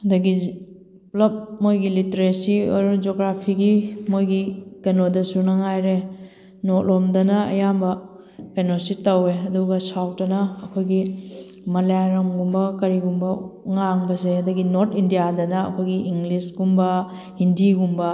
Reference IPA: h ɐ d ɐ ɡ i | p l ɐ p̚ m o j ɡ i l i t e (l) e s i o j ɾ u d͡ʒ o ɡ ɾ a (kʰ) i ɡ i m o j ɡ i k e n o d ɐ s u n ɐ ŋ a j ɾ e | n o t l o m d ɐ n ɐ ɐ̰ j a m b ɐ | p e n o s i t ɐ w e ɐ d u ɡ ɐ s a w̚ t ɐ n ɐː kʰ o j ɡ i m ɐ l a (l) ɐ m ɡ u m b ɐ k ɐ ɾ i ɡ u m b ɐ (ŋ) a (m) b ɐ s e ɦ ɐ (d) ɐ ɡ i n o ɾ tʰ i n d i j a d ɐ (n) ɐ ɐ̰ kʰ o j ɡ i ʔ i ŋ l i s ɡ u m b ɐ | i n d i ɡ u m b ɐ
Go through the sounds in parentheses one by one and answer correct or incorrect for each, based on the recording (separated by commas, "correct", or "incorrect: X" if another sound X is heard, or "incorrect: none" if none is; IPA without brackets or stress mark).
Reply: incorrect: ɾ, incorrect: pʰ, incorrect: ɾ, correct, incorrect: ŋ, correct, correct